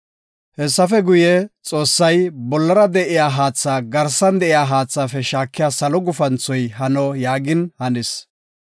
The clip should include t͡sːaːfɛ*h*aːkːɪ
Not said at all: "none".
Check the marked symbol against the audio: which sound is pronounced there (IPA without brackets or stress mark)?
ʃ